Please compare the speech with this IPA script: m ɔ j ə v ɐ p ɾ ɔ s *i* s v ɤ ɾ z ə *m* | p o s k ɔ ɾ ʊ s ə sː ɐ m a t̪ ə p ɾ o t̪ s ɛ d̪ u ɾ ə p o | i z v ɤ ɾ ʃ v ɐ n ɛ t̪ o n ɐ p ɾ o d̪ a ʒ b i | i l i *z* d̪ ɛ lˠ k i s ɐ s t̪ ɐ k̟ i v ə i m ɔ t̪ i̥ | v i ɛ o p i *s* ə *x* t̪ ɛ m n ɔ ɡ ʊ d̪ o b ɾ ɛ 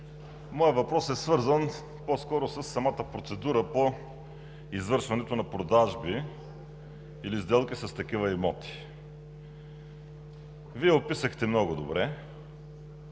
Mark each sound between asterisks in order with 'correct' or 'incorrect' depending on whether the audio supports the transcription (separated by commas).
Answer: incorrect, incorrect, correct, correct, correct